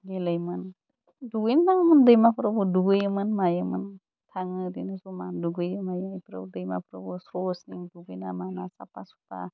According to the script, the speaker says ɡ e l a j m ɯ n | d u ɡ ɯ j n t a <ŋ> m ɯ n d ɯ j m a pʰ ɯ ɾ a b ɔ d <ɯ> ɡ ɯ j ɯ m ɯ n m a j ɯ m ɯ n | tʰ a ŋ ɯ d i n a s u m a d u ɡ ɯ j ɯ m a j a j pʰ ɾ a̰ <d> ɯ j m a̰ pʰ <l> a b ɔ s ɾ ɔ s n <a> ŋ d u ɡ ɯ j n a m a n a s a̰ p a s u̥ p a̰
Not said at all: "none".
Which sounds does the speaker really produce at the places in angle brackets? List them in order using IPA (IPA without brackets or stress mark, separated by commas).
ŋ, u, d, ɾ, i